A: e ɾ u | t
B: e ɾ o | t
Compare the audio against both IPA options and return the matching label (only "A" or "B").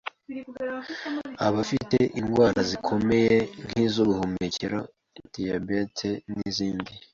B